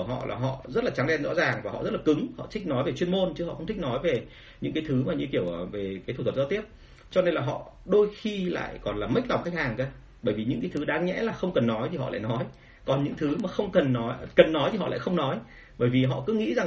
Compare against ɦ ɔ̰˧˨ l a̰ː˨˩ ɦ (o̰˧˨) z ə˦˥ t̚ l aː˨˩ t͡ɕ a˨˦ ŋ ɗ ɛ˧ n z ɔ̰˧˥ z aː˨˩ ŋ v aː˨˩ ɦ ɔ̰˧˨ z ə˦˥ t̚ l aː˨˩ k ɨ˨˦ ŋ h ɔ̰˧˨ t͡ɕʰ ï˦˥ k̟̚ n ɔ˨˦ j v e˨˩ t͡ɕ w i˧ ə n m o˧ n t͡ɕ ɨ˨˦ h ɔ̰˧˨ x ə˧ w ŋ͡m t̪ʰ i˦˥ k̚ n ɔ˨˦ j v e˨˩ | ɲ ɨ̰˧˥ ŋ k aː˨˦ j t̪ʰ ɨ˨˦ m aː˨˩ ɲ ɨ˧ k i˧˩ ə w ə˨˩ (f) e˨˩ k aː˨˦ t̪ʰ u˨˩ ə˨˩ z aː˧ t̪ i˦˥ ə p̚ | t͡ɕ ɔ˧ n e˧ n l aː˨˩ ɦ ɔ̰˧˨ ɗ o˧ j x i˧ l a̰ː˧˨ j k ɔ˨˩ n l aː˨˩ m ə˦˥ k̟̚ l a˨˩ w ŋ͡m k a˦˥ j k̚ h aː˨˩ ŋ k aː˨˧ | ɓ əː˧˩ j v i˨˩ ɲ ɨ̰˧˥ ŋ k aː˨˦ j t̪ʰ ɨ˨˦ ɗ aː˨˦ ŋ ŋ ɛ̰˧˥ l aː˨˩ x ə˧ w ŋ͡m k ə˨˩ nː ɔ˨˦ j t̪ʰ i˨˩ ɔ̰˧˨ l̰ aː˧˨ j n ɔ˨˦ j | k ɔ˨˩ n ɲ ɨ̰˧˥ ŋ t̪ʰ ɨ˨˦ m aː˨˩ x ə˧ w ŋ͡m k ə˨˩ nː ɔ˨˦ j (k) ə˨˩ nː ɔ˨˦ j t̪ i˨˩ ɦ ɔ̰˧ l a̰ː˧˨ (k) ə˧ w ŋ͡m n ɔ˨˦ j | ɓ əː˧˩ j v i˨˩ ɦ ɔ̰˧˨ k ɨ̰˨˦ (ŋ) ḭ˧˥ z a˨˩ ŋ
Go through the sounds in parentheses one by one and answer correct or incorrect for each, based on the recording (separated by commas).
incorrect, incorrect, correct, incorrect, correct